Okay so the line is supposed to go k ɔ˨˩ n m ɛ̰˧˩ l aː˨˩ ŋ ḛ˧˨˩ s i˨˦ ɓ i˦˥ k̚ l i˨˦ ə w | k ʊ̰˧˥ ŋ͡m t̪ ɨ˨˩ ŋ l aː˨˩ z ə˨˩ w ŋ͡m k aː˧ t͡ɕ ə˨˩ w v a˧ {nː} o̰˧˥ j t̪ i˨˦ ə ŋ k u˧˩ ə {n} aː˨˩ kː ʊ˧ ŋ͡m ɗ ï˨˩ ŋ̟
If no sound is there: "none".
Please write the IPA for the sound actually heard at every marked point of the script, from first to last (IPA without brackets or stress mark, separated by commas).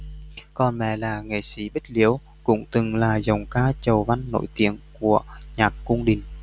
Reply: nː, ɲ